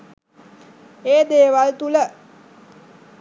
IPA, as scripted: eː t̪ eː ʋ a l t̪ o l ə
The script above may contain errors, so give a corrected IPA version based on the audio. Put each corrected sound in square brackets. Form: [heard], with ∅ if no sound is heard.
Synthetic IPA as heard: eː [d̪] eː ʋ a l t̪ [u] l ə